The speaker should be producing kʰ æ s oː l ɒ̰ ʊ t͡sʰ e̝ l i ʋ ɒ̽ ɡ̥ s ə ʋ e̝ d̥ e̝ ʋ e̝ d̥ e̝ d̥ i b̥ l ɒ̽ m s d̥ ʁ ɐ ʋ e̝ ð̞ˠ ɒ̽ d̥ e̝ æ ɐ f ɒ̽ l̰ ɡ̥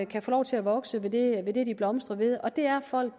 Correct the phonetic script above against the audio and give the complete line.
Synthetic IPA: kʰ æ f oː l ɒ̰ ʊ t͡sʰ e̝ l æ ʋ ɒ̽ ɡ̥ s ə ʋ e̝ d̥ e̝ ʋ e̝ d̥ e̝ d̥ i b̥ l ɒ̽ m s d̥ ʁ ɐ ʋ e̝ ð̞ˠ ɒ̽ d̥ e̝ æ ɐ f ɒ̽ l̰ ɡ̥